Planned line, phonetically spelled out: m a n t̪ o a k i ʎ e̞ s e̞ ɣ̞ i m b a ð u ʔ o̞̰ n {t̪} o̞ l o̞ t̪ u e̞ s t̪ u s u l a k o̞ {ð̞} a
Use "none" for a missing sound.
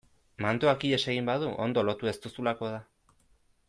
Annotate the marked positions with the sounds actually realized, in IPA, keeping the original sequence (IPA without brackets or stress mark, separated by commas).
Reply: d̪, ð̞